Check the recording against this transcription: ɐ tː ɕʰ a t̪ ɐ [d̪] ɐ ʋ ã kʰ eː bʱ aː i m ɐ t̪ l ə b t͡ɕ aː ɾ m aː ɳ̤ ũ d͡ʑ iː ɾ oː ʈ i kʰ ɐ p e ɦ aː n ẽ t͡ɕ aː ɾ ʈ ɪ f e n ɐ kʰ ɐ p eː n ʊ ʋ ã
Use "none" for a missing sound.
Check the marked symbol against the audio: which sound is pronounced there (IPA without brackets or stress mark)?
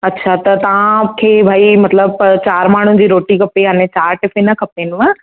t̪